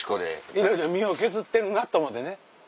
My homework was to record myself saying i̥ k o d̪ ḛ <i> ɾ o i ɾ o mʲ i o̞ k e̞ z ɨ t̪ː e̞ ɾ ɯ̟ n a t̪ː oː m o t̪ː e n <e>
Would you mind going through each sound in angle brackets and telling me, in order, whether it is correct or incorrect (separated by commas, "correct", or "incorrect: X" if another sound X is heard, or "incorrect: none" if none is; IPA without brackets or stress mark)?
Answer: correct, correct